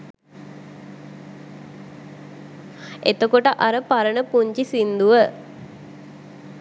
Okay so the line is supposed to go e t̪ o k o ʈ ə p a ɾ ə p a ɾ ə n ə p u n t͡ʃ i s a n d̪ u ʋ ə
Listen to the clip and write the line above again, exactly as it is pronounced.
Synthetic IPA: e t̪ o k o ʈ ə ʔ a ɾ ə p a ɾ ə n ə p u ɲ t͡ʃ i s i n d̪ u ʋ ə